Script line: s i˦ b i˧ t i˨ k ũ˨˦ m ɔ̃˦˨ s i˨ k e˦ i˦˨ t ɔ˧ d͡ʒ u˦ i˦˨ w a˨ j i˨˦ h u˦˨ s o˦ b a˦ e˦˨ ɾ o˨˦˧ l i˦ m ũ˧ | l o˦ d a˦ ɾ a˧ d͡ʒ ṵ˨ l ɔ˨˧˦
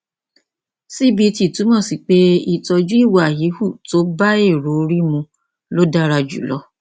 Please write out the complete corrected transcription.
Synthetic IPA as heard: s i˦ b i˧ t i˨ t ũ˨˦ m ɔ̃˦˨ s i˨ k͡p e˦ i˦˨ t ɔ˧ d͡ʒ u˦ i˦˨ w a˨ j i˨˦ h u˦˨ t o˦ b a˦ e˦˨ ɾ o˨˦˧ ɾ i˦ m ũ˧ | l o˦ d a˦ ɾ a˧ d͡ʒ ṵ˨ l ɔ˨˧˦